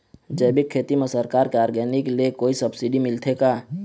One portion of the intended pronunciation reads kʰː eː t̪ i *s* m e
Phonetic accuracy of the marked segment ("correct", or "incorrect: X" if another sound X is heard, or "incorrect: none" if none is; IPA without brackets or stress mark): incorrect: none